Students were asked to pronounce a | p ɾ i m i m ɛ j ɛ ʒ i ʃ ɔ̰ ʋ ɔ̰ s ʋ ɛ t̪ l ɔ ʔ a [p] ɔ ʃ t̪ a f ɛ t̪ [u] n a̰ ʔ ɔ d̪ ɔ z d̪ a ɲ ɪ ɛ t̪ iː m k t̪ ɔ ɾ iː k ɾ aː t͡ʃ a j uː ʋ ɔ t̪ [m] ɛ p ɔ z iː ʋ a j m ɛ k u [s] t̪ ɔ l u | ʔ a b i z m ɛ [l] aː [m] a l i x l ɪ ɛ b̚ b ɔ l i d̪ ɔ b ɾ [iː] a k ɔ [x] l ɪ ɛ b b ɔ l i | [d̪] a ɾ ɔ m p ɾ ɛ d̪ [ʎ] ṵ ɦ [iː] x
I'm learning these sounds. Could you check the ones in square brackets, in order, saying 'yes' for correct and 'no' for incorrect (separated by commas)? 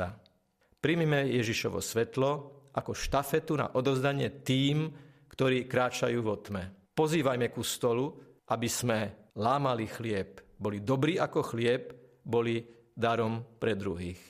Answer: no, yes, yes, yes, yes, yes, yes, yes, yes, no, yes